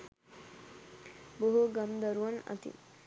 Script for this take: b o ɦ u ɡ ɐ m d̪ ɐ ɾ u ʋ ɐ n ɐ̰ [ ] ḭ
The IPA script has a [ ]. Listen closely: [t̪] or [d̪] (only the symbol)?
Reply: t̪